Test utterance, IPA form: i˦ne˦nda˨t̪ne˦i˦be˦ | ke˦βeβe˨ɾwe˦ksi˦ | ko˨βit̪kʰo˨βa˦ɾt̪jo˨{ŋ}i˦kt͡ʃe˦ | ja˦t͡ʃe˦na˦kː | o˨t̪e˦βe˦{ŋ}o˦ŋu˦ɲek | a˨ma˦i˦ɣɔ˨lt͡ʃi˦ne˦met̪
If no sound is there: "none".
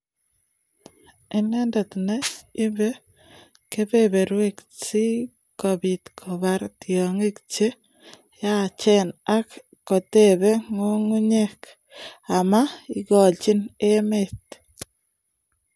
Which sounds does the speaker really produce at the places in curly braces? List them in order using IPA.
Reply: ŋ, ŋ

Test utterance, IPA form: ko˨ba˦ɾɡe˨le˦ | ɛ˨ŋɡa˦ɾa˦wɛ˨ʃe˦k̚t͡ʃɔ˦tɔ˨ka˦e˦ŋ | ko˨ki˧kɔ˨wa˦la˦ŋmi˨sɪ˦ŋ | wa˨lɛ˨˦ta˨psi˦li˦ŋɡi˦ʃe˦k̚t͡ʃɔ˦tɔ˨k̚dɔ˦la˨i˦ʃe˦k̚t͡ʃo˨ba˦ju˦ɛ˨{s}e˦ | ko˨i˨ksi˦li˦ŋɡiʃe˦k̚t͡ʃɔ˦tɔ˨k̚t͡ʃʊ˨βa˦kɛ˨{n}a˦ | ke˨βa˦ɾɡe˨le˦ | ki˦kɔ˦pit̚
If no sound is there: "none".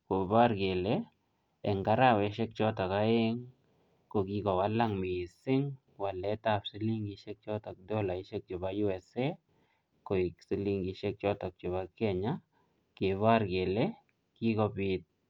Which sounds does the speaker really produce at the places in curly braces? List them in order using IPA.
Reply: s, ɲ

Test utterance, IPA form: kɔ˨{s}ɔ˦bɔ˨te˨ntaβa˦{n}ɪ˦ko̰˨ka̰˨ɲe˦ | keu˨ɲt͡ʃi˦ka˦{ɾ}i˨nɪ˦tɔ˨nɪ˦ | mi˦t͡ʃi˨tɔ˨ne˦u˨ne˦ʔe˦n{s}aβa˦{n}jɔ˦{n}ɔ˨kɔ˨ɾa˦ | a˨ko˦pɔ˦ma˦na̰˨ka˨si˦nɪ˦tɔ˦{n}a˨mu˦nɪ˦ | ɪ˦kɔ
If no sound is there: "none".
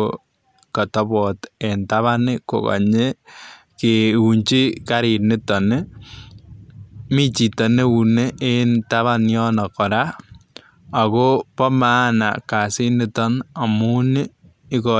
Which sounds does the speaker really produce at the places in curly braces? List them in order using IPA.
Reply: t, n, ɾ, t, n, n, n

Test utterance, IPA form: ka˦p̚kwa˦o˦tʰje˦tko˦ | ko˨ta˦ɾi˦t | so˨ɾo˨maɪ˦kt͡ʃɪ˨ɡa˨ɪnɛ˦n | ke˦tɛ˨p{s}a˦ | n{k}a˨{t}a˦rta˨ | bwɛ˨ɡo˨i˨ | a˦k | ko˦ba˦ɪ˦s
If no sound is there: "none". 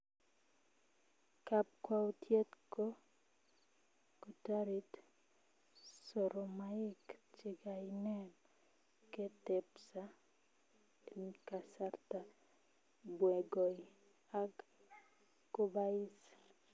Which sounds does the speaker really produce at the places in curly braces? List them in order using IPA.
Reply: s, k, s

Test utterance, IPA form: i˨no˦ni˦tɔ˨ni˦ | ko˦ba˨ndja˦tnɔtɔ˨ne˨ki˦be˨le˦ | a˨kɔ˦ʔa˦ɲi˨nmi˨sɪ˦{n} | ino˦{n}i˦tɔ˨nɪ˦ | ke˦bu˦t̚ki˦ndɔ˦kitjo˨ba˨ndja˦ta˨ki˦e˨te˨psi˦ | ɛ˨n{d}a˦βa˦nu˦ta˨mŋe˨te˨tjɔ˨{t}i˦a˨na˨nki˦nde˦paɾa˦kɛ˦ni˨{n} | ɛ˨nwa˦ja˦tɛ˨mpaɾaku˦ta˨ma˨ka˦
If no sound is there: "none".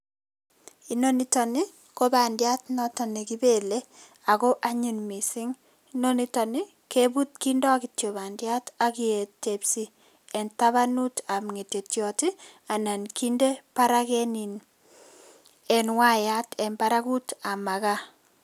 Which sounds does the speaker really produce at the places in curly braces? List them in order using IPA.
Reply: ŋ, n, t, t, n

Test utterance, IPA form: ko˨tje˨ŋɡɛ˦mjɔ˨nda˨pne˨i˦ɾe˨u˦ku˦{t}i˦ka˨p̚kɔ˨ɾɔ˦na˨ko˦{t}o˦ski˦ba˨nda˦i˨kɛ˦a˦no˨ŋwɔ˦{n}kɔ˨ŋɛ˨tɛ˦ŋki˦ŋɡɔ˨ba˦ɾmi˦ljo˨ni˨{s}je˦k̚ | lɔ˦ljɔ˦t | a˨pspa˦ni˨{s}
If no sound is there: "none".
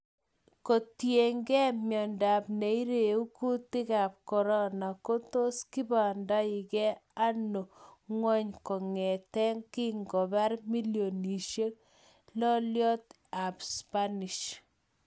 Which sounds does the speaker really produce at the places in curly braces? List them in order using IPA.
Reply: t, t, ɲ, ʃ, ʃ

